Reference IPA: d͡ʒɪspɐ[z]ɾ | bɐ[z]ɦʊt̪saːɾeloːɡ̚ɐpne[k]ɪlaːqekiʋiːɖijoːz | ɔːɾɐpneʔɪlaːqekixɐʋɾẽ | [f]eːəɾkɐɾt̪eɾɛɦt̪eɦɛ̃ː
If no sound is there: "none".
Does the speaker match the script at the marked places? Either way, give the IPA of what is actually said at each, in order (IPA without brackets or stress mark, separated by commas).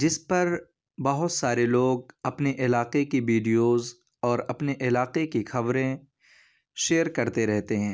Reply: none, none, ʔ, ʃ